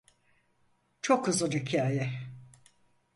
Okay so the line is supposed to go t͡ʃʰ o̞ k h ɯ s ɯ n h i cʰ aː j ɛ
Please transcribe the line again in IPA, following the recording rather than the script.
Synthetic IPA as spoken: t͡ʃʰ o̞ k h ɯ z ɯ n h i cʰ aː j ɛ